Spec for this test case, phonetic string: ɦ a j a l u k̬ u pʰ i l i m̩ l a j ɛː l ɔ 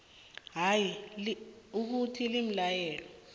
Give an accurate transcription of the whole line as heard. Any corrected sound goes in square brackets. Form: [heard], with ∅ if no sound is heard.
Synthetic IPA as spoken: ɦ a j [i] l u k̬ u [tʰ] i l i m̩ l a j ɛː l ɔ

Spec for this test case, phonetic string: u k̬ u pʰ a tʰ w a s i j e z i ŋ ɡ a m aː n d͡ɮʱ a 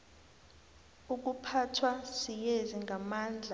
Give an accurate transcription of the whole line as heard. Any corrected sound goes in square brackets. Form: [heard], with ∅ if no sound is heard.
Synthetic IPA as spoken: u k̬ u pʰ a tʰ w a s i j e z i ŋ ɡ a m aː n d͡ɮʱ a

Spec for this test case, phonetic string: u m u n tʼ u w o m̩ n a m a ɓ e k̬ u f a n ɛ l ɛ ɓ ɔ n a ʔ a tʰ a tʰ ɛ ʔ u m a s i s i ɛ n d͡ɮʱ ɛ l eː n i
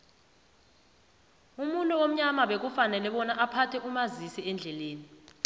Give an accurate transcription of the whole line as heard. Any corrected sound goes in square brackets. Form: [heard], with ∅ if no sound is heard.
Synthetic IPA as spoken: u m u n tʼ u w o m̩ [ɲ] a m a ɓ e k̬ u f a n ɛ l ɛ ɓ ɔ n a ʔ a [pʰ] a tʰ ɛ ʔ u m a [z] i s i ɛ n d͡ɮʱ ɛ l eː n i

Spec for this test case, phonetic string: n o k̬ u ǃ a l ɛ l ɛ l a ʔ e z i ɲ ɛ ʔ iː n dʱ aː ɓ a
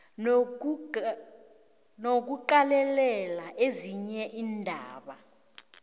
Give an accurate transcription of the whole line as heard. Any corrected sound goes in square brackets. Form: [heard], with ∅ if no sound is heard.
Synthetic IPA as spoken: n o k̬ u ǃ a l ɛ l ɛ l a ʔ e z i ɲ ɛ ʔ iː n dʱ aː ɓ a

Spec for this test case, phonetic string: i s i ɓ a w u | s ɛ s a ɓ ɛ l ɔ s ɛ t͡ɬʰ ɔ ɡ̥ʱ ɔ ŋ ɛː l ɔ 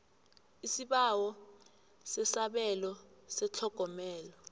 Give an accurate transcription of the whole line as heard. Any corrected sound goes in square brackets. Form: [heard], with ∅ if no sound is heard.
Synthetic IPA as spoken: i s i ɓ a w [ɔ] | s ɛ s a ɓ ɛ l ɔ s ɛ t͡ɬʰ ɔ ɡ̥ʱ ɔ [m] ɛː l ɔ

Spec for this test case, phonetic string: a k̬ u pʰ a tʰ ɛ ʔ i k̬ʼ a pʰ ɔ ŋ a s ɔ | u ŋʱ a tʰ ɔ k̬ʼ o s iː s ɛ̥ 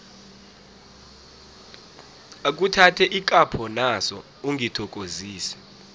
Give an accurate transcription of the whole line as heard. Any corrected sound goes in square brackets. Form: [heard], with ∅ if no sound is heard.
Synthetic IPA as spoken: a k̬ u [tʰ] a tʰ ɛ ʔ i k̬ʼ a pʰ ɔ [n] a s ɔ | u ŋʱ [i] tʰ ɔ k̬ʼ o [z] iː s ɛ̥

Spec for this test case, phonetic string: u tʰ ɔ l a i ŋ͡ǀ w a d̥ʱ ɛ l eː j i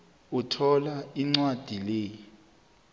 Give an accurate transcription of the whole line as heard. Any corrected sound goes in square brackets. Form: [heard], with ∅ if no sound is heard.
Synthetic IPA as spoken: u tʰ ɔ l a i ŋ͡ǀ w a d̥ʱ [i] l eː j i

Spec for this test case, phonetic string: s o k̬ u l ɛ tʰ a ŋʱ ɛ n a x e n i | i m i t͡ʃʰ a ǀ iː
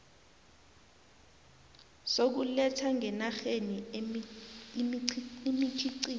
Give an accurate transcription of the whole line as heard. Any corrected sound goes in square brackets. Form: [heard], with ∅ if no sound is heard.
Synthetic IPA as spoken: s o k̬ u l ɛ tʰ a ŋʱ ɛ n a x e n i | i m i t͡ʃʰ [i] ǀ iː

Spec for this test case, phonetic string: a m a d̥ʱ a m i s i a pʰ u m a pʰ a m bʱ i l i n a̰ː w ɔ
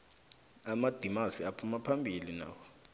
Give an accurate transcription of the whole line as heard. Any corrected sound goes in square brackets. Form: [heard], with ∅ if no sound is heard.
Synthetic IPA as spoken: a m a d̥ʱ [i] m [a] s i a pʰ u m a pʰ a m bʱ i l i n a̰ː w ɔ

